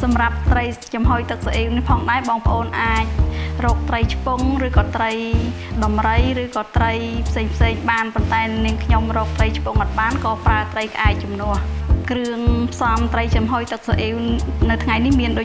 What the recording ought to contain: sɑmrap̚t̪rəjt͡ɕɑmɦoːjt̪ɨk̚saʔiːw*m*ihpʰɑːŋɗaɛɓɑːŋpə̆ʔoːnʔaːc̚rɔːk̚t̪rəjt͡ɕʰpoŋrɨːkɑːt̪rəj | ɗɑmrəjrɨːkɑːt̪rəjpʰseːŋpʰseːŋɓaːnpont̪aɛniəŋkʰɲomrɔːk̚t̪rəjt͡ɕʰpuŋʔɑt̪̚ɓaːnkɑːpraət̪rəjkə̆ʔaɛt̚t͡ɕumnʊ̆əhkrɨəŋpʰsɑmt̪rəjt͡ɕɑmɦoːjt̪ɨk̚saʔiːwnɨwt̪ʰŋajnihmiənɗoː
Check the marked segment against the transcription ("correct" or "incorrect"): incorrect